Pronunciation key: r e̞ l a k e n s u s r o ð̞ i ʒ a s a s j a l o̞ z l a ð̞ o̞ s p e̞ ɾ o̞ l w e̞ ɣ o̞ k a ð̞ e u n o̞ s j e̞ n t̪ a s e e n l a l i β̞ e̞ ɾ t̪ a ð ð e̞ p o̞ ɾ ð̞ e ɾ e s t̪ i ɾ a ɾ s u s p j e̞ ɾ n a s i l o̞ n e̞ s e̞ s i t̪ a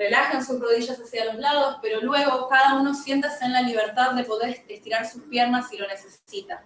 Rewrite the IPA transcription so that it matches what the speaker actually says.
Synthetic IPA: r e̞ l a x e n s u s r o ð̞ i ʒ a s a s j a l o̞ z l a ð̞ o̞ s p e̞ ɾ o̞ l w e̞ ɣ o̞ k a ð̞ a u n o̞ s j e̞ n t̪ a s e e n l a l i β̞ e̞ ɾ t̪ a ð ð e̞ p o̞ ð̞ e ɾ e s t̪ i ɾ a ɾ s u s p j e̞ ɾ n a s i l o̞ n e̞ s e̞ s i t̪ a